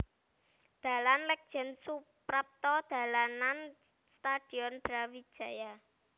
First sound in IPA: d̪̥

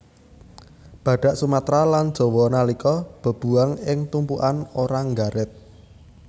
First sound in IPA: b̥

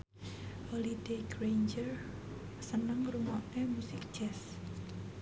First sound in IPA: h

